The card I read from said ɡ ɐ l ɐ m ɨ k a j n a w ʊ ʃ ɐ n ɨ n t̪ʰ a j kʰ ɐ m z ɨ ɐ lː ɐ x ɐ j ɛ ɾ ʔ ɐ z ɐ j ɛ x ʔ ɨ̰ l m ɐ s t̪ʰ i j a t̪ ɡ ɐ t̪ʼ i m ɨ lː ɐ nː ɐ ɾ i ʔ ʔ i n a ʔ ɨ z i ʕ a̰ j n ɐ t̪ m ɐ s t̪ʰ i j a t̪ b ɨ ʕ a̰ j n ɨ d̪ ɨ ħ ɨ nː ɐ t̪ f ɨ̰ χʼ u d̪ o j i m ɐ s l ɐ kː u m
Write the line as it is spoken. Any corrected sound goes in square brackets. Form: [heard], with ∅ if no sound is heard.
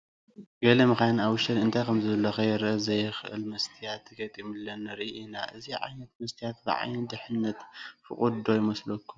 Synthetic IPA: ɡ ɐ l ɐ m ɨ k a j n a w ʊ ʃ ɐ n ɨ n t̪ʰ a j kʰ ɐ m z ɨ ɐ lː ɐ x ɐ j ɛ ɾ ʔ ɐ z ɐ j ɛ x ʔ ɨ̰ l m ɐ s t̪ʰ i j a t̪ ɡ ɐ t̪ʼ i m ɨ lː ɐ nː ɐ ɾ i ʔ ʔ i n a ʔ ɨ z i ʕ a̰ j n ɐ t̪ m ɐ s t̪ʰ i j a t̪ b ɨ ʕ a̰ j n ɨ d̪ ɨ ħ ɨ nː ɐ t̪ f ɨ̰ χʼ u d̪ o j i m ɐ s l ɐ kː u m